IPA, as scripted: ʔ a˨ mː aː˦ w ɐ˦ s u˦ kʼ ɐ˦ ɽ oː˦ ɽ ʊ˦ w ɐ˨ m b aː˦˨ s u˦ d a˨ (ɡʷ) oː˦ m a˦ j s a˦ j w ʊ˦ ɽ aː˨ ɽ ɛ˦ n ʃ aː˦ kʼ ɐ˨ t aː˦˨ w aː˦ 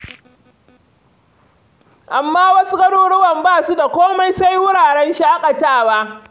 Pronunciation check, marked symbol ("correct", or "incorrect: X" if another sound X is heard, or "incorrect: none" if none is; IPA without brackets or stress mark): incorrect: kʷ